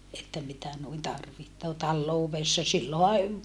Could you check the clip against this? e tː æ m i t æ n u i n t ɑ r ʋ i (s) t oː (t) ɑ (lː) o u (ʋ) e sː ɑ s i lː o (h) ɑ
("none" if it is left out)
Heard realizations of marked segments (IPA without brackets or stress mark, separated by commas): h, t, lː, ʋ, h